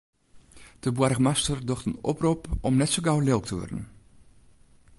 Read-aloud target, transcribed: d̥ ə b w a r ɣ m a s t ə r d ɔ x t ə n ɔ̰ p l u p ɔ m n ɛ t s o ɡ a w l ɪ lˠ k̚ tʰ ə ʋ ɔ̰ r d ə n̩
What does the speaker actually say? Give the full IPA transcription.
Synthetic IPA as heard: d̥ ə b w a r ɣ m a s t ə r d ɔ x t ə n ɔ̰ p r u p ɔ m n ɛ t s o ɡ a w l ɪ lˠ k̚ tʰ ə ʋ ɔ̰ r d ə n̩